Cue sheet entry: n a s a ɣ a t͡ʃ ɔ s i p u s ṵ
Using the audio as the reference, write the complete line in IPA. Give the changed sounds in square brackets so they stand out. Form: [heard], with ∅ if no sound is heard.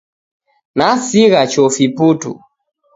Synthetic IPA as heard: n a s [i] ɣ a t͡ʃ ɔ [f] i p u [t] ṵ